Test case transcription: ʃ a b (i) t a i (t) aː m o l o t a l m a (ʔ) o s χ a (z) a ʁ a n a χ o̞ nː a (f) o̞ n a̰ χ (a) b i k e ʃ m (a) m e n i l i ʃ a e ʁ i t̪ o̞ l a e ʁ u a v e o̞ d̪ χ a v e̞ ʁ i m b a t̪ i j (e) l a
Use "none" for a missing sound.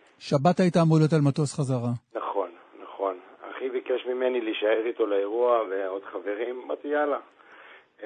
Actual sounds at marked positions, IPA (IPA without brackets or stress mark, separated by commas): a, t, t, z, χ, i, i, a